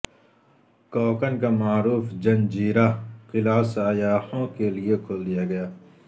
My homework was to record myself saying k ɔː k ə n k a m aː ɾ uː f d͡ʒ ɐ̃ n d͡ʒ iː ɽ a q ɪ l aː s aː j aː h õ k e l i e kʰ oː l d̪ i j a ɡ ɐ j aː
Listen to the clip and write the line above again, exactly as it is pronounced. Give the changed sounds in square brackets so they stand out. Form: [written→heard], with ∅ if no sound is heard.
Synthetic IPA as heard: k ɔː k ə n k a m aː ɾ uː f d͡ʒ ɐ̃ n d͡ʒ iː [ɽ→ɾ] a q ɪ l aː s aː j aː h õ k e l i e kʰ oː l d̪ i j a ɡ ɐ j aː